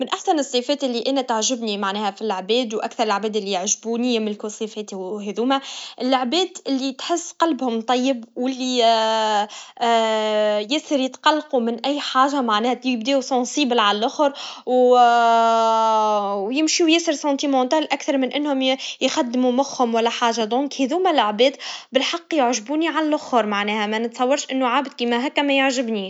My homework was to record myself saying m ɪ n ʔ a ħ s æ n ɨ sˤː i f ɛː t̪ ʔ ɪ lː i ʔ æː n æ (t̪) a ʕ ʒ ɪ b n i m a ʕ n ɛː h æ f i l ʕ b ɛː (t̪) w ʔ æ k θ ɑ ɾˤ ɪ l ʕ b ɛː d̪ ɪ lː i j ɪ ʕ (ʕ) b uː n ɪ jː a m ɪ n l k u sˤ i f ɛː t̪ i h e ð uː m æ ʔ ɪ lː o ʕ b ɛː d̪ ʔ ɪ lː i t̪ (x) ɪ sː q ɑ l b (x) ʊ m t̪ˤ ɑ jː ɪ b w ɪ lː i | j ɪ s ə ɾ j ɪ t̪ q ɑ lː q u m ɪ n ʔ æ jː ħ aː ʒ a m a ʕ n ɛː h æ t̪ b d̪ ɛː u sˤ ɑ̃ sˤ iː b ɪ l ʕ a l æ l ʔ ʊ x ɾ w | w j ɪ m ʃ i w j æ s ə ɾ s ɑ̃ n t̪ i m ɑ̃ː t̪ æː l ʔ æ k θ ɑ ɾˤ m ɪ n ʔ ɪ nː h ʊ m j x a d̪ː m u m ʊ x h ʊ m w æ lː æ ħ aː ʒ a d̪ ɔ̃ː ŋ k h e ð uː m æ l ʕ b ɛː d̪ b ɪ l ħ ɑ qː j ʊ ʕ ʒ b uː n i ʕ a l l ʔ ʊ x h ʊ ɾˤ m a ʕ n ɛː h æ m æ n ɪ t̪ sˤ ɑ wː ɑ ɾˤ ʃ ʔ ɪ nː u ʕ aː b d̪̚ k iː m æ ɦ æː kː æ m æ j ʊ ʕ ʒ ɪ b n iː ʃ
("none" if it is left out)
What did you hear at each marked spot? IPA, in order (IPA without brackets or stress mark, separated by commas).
t̪, d̪, ʒ, ħ, h